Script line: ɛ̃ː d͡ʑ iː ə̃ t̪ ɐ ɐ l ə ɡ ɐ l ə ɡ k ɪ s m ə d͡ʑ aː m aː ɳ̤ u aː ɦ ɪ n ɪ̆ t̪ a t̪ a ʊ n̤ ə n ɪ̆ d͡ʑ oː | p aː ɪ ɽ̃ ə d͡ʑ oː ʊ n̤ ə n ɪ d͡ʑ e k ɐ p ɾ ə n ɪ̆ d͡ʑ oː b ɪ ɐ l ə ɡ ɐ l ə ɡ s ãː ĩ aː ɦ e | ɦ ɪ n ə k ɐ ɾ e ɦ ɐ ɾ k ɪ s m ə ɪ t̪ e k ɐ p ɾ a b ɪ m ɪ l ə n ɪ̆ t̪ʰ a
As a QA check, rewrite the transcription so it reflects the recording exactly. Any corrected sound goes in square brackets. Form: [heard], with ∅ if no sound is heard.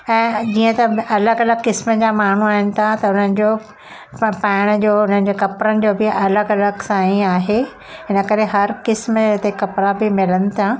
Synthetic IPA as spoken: ɛ̃ː d͡ʑ iː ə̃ t̪ ɐ ɐ l ə ɡ ɐ l ə ɡ k ɪ s m ə d͡ʑ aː m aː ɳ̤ u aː ɦ ɪ n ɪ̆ [t̪ʰ] a t̪ [ɐ] ʊ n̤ ə n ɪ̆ d͡ʑ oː | p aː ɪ ɽ̃ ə d͡ʑ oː ʊ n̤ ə n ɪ d͡ʑ e k ɐ p ɾ ə n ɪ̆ d͡ʑ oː b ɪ ɐ l ə ɡ ɐ l ə ɡ s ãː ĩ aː ɦ e | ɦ ɪ n ə k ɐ ɾ e ɦ ɐ ɾ k ɪ s m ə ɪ t̪ e k ɐ p ɾ a b ɪ m ɪ l ə n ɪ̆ t̪ʰ a